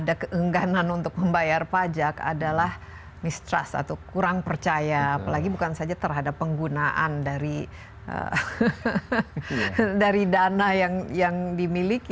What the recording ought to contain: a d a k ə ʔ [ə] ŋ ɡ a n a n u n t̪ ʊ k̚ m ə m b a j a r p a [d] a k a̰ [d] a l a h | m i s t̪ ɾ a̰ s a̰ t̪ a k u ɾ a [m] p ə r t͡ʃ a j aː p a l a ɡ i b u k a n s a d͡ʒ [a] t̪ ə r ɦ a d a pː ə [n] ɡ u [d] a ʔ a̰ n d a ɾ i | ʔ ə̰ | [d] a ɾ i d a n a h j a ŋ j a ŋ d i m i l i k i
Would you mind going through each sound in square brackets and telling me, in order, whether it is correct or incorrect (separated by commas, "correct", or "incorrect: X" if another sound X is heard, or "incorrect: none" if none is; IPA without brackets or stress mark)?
correct, incorrect: d͡ʒ, correct, incorrect: ŋ, correct, incorrect: ŋ, incorrect: n, correct